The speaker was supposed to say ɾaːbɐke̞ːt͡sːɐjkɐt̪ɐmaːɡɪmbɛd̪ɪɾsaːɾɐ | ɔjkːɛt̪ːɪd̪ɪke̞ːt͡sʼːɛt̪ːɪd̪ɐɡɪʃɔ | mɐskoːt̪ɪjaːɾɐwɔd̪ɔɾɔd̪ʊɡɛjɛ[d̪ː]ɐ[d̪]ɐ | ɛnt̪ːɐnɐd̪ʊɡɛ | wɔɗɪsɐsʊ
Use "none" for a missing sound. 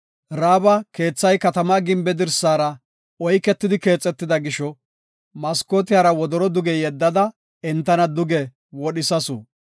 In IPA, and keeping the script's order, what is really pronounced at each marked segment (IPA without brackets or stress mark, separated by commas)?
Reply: d̪ː, d̪